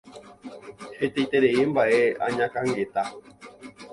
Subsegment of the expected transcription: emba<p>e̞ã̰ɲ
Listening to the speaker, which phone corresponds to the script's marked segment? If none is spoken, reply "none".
ʔ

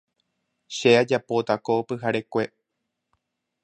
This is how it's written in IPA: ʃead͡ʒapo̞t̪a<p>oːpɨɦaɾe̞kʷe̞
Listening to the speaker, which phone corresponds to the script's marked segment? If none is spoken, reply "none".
k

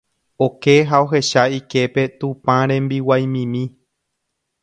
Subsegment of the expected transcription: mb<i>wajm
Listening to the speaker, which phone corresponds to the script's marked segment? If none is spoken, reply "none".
i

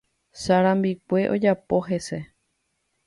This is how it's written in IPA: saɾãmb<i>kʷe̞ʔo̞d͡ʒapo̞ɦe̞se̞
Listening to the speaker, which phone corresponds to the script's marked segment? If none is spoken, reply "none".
i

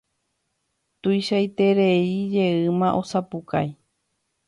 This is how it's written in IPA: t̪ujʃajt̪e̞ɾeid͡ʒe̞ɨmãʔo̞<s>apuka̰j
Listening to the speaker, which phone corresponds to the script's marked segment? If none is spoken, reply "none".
s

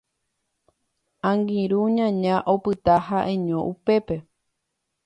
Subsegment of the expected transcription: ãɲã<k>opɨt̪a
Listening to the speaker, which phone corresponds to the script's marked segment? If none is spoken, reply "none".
ʔ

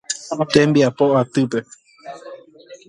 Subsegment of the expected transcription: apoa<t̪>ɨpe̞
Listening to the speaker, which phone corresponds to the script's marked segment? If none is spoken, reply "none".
t̪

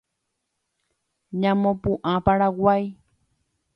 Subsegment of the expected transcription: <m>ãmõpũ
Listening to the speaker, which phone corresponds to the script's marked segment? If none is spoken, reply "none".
ɲ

